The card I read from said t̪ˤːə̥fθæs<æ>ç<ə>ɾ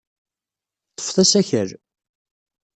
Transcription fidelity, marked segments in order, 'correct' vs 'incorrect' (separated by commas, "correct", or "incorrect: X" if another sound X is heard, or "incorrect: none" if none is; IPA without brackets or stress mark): correct, correct